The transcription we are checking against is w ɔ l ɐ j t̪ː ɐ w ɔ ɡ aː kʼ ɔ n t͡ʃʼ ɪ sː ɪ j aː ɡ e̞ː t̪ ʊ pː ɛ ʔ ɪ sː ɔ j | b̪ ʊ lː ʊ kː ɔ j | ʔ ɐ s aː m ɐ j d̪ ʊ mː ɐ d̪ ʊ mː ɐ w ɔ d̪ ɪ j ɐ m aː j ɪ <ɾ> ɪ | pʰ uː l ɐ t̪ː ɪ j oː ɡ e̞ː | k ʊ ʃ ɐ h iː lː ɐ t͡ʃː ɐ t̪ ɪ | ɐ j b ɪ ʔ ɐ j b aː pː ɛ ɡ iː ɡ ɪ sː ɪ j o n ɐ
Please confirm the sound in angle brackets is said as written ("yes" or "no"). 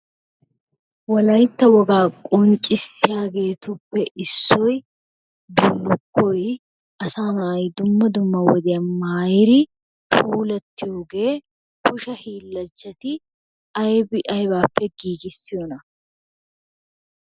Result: yes